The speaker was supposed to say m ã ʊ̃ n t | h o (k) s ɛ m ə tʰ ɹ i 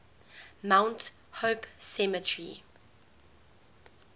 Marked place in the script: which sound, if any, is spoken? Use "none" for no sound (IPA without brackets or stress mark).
p